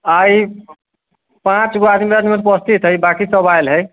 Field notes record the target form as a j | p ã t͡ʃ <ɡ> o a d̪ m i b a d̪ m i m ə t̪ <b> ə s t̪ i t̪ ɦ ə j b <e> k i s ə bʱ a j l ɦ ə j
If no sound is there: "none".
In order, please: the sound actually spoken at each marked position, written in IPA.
ɡ, p, a

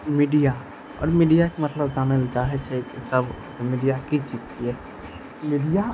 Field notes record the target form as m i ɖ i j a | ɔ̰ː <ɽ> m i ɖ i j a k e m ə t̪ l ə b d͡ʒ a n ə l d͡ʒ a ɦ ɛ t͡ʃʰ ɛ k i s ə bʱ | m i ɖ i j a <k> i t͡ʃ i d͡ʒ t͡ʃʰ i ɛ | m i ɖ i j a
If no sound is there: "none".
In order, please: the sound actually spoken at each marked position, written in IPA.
ɾ, k

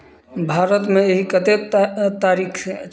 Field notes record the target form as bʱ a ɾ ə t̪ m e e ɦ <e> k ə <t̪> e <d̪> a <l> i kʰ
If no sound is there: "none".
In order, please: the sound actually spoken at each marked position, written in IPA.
i, t̪, t̪, ɾ

